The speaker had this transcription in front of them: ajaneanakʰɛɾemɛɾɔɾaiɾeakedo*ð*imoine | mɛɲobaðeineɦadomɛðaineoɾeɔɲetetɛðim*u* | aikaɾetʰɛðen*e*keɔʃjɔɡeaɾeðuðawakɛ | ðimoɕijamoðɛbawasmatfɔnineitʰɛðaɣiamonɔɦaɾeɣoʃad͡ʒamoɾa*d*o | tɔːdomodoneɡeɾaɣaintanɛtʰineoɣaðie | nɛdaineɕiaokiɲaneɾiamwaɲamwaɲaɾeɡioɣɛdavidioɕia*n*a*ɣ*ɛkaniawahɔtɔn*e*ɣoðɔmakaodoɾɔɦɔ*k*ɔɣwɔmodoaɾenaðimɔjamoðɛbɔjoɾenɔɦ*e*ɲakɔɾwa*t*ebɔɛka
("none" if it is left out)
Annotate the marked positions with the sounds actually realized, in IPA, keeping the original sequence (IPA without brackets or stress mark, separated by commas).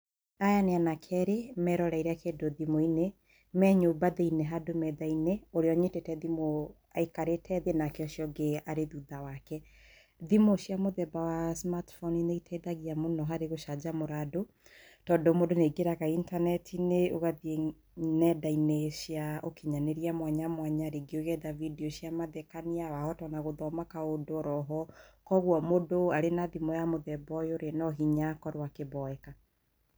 ð, o, a, d, m, ð, a, k, i, k